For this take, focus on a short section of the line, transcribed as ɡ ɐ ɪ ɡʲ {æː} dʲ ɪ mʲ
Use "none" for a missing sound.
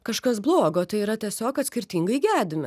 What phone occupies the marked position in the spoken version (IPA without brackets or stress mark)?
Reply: æː